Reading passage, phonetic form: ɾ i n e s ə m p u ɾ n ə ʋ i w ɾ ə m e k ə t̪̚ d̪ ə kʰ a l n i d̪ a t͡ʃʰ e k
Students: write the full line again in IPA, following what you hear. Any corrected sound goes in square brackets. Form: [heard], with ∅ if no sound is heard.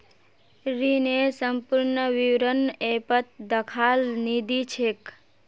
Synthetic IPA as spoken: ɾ i n e s ə m p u ɾ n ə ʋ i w ɾ ə [n] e [p] ə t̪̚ d̪ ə kʰ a l n i d̪ [i] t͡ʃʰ e k

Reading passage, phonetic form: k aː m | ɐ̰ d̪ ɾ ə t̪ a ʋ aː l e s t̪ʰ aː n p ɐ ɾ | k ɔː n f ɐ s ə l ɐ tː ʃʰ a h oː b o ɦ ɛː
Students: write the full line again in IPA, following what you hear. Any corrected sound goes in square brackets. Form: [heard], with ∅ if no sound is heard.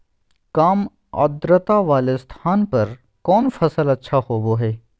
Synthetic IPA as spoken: k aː m | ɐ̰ d̪ ɾ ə t̪ a ʋ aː l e s t̪ʰ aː n p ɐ ɾ | k ɔː n f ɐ s ə l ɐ tː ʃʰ a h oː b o ɦ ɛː

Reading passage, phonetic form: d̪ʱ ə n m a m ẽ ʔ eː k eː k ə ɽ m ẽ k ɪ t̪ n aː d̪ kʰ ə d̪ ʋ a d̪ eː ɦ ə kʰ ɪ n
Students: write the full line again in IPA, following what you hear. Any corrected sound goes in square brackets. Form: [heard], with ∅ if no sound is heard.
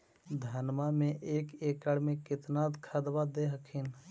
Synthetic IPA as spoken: d̪ʱ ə n m a m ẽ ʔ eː k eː k ə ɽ m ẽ k ɪ t̪ n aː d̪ kʰ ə d̪ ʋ a d̪ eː ɦ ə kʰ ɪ n

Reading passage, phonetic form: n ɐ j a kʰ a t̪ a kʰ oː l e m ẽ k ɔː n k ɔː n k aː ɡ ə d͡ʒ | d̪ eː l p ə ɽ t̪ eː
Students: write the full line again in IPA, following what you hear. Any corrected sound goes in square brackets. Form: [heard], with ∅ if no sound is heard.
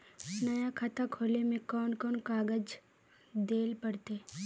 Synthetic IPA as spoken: n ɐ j a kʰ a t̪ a kʰ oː l e m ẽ k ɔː n k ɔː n k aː ɡ ə d͡ʒ | d̪ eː l p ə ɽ t̪ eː

